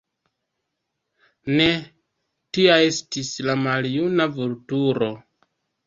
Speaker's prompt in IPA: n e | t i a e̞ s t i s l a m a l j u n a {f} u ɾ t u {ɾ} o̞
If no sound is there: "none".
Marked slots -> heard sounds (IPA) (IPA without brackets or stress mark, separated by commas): v, ɾ